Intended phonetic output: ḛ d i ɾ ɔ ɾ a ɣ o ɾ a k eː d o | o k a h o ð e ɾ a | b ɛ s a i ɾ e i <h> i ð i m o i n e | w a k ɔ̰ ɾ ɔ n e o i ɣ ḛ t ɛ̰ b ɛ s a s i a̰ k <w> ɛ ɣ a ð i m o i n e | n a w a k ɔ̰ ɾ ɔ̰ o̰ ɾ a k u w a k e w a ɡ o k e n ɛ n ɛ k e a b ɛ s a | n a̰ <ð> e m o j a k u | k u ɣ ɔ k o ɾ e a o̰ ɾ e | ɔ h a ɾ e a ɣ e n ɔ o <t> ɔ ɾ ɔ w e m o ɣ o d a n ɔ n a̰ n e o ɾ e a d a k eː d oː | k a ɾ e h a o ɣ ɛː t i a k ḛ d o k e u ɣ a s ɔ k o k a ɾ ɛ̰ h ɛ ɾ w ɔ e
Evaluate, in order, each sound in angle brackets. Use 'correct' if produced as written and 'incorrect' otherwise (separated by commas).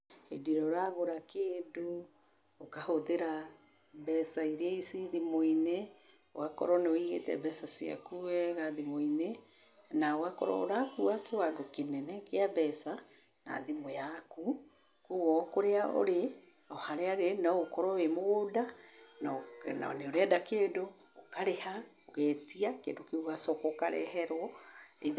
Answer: incorrect, incorrect, correct, incorrect